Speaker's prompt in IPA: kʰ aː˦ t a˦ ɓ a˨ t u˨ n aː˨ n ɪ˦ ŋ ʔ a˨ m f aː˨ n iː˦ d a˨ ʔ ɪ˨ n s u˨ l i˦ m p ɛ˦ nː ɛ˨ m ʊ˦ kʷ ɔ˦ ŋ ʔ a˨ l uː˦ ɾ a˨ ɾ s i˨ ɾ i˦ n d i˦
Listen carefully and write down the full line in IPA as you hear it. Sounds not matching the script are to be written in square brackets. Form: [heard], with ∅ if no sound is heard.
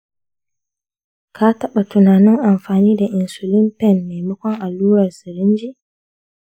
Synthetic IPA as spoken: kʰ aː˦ t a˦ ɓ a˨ t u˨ n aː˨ n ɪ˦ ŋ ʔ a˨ m f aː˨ n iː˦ d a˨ ʔ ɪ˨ n s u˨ l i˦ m p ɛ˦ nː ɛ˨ m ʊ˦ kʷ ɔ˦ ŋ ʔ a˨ l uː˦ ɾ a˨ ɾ s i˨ ɾ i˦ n [d͡ʒ] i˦

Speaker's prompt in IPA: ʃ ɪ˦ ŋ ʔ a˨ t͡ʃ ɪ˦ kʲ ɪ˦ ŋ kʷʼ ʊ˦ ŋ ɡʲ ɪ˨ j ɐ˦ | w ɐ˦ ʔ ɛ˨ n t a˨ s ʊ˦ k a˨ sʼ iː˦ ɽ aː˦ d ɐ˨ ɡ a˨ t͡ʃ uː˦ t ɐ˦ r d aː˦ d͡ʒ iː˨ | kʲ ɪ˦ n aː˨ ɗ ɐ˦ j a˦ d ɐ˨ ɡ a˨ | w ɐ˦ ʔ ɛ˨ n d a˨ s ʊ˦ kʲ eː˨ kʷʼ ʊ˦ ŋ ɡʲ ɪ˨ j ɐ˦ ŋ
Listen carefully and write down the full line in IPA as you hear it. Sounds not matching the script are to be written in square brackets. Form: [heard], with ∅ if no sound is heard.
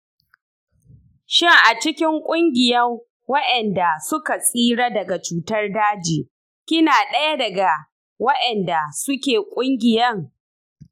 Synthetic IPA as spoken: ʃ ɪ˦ ŋ ʔ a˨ t͡ʃ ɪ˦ kʲ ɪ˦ ŋ kʷʼ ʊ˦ ŋ ɡʲ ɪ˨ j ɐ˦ | w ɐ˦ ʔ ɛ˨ n [d] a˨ s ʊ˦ k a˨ sʼ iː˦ ɽ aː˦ d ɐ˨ ɡ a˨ t͡ʃ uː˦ t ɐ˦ r d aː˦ d͡ʒ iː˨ | kʲ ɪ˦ n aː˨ ɗ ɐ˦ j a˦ d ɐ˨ ɡ a˨ | w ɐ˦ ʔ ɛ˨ n d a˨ s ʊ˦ kʲ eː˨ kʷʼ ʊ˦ ŋ ɡʲ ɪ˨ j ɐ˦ ŋ

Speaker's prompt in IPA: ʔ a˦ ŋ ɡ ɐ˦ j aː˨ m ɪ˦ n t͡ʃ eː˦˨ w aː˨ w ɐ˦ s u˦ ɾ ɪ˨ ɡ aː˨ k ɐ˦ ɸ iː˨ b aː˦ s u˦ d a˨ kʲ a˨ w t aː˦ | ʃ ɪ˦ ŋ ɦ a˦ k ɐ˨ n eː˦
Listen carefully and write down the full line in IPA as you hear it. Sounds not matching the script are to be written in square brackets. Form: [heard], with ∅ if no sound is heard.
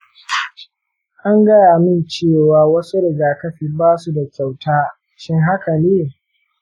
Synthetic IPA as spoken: ʔ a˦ ŋ ɡ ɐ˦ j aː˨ m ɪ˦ n t͡ʃ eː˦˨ w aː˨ w ɐ˦ s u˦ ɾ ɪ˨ ɡ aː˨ k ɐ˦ ɸ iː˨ b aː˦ s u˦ d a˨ kʲ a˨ w t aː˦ | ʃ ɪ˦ ŋ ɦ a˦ k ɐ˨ n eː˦

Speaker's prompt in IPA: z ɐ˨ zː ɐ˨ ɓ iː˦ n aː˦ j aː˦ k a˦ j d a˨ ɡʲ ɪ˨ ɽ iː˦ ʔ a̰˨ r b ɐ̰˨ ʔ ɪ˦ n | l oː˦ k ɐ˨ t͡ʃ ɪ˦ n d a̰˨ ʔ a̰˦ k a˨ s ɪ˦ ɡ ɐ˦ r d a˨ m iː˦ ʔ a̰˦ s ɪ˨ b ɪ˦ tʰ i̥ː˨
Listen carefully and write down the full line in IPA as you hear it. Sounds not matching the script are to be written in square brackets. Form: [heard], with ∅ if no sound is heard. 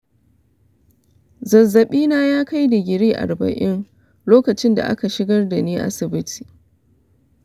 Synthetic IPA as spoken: z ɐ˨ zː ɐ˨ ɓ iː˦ n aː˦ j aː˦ k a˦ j d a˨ ɡʲ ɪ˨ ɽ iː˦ ʔ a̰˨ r b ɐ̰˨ ʔ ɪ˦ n | l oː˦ k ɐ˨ t͡ʃ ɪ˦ n d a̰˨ ʔ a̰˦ k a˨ [ʃ] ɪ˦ ɡ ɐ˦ r d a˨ [n] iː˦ ʔ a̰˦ s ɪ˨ b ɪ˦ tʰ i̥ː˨

